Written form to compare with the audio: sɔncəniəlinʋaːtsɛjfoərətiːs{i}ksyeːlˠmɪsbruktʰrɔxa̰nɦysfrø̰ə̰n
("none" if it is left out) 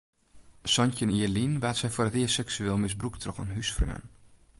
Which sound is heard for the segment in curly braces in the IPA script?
ɛ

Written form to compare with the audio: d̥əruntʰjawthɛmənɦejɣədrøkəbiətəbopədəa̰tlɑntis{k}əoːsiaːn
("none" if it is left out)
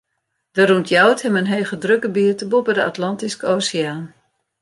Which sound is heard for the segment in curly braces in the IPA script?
k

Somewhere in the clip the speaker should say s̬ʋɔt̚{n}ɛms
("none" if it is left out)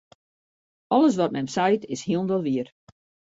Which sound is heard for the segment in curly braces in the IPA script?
m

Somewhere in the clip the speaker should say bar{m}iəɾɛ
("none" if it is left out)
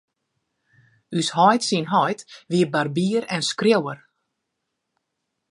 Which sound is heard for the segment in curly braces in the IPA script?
b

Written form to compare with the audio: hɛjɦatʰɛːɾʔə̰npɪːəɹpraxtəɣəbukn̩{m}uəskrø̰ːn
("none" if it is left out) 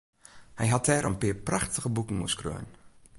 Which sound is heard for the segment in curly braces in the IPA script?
m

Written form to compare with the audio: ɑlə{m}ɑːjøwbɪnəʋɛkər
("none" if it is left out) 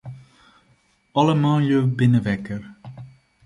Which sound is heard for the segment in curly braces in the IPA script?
m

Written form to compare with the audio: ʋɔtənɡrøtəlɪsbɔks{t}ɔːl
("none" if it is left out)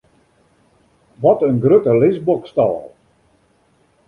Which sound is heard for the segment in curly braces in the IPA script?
t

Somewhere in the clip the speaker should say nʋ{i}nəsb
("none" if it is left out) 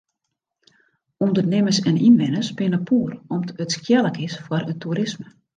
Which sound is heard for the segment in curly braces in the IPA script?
ɪ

